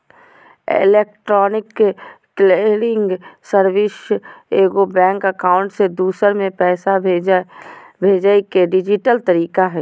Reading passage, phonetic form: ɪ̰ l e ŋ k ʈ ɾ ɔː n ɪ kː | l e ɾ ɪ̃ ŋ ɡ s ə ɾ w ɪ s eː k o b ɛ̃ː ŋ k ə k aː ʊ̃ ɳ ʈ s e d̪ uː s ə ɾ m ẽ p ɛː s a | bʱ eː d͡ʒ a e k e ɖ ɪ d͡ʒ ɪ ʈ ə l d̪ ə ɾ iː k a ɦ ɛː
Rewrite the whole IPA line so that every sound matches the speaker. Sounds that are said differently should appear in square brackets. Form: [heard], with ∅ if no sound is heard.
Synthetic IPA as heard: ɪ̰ l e [∅] k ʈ ɾ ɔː n ɪ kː | l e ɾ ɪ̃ ŋ ɡ s ə ɾ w ɪ s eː [ɡ] o b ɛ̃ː ŋ k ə k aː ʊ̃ ɳ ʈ s e d̪ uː s ə ɾ m ẽ p ɛː s a | bʱ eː d͡ʒ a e k e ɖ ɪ d͡ʒ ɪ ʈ ə l [t̪] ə ɾ iː k a ɦ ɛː